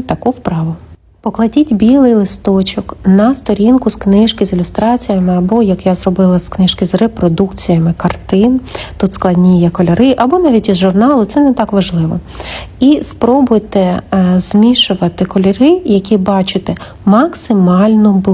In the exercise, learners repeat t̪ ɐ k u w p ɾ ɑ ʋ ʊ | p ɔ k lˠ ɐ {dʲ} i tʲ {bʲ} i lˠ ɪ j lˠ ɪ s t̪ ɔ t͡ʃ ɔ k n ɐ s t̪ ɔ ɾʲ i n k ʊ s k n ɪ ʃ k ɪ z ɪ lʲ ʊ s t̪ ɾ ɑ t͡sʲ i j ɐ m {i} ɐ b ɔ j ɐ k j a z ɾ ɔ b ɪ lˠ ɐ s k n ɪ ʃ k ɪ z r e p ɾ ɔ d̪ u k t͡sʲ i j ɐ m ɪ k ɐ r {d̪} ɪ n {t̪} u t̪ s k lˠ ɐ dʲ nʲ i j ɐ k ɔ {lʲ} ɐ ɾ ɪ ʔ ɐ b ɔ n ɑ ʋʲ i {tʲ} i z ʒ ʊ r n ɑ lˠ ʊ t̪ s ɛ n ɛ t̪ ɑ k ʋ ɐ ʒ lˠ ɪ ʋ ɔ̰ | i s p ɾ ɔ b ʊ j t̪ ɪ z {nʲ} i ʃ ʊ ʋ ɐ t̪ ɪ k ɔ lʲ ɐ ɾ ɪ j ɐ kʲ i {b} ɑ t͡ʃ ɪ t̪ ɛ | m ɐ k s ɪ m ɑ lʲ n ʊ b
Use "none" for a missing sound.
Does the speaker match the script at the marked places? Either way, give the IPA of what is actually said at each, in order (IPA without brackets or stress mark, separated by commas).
dʲ, bʲ, ɪ, t̪, t̪, lʲ, tʲ, mʲ, b